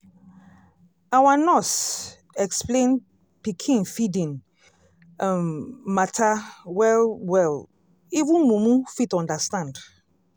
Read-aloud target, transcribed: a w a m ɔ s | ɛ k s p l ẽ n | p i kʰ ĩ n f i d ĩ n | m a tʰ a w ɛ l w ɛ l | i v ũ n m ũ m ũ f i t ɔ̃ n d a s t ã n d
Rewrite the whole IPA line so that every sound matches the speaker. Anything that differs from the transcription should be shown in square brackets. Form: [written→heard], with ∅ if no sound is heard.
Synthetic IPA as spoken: a w a [m→n] ɔ s | ɛ k s p l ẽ n | p i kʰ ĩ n f i d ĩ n | m a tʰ a w ɛ l w ɛ l | i v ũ n m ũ m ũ f i t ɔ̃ n d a s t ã n d